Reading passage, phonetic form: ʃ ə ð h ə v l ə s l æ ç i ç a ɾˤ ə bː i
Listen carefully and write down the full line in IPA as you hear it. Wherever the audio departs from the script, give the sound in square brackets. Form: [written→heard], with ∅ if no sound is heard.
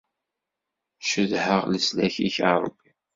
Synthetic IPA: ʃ ə ð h ə [v→ʁ] l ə s l æ ç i ç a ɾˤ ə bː i

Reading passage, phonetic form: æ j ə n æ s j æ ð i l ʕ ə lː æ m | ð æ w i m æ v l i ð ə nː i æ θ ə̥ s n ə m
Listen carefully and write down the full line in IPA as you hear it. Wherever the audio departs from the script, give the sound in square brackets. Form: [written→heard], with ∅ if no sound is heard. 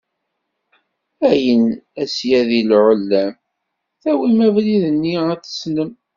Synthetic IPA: æ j ə n æ s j æ ð i l ʕ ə lː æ m | [ð→θ] æ w i m æ v l i ð ə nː i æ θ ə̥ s n ə m

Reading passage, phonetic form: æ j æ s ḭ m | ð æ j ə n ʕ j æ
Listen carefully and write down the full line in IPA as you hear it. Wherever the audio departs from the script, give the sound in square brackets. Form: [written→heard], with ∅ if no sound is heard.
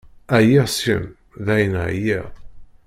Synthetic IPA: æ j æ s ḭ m | ð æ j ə n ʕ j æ

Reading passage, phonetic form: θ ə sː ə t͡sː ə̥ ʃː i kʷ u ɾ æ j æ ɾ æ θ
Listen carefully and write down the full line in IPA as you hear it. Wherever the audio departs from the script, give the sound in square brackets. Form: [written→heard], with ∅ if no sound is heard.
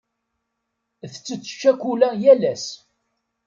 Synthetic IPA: θ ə [sː→t͡sː] ə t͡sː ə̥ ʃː [i→æ] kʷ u [ɾ→l] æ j æ [ɾ→l] æ [θ→s]

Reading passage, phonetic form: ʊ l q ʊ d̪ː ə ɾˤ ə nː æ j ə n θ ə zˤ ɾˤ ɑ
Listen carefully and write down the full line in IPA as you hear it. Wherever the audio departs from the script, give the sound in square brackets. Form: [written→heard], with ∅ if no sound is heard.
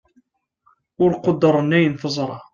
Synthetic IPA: ʊ [l→ɾ] q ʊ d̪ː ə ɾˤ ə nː æ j ə n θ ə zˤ ɾˤ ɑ

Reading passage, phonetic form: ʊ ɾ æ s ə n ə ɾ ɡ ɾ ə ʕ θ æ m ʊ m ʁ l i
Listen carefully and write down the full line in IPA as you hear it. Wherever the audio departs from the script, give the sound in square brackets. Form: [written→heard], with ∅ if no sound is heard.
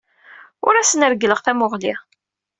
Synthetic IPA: ʊ ɾ æ s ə n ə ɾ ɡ [ɾ→l] ə [ʕ→ʁ] θ æ m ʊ [m→∅] ʁ l i

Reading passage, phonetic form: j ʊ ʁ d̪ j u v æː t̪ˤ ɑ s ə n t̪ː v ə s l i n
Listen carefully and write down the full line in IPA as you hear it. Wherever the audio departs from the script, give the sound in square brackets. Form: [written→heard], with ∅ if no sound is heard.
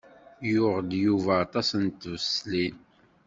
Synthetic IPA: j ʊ ʁ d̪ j u v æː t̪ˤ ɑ s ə n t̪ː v ə s l i n

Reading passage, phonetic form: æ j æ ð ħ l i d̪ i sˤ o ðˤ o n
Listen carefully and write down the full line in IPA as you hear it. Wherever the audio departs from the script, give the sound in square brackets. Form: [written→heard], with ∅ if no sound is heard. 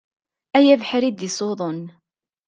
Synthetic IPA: æ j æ [ð→v] ħ [l→ɾ] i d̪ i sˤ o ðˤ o n

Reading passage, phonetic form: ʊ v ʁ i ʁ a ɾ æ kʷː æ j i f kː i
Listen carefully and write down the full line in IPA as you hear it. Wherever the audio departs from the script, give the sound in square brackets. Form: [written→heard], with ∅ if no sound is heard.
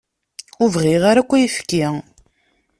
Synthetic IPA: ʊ v ʁ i ʁ a ɾ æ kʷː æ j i f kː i

